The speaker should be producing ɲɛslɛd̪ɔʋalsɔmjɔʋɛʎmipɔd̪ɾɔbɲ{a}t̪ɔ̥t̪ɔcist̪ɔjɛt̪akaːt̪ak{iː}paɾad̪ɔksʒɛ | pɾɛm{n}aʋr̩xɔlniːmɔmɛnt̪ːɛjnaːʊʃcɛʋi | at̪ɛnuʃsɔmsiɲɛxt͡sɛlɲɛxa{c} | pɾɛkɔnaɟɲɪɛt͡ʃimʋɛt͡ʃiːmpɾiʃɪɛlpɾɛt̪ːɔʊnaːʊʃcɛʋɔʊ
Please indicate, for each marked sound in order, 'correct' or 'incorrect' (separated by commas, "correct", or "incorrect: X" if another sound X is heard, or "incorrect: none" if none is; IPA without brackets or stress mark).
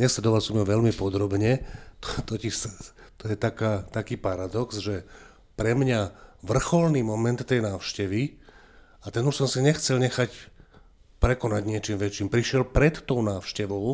incorrect: ɛ, correct, incorrect: ɲ, correct